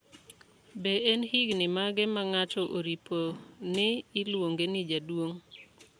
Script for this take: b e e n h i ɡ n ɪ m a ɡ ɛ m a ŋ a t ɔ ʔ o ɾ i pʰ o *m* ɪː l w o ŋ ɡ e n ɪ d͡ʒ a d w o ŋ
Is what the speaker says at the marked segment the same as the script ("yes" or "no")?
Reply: no